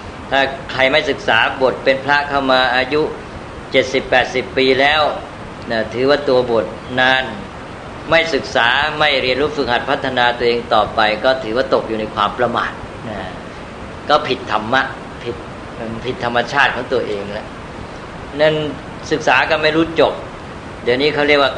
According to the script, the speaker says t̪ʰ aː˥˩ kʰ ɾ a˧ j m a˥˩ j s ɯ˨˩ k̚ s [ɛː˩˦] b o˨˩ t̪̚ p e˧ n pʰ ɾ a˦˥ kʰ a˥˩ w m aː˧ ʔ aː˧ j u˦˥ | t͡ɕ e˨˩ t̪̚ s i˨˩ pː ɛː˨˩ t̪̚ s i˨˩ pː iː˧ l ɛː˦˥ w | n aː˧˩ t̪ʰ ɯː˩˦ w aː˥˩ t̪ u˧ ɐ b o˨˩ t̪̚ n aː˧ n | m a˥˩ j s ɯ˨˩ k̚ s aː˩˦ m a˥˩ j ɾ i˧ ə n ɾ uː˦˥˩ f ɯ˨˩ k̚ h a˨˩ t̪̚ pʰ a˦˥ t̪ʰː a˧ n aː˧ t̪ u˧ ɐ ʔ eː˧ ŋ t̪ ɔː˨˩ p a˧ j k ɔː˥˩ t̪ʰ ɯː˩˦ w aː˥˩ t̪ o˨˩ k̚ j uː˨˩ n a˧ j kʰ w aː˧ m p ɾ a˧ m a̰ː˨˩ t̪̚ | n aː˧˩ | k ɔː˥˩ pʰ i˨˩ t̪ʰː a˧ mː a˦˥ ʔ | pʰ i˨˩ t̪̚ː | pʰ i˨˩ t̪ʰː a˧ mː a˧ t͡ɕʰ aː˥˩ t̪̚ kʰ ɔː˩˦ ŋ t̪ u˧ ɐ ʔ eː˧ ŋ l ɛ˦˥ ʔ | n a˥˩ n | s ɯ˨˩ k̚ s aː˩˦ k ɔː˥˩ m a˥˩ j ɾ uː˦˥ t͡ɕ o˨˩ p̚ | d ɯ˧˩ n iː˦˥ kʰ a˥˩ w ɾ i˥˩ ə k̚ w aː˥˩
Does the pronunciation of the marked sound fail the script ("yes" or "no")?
yes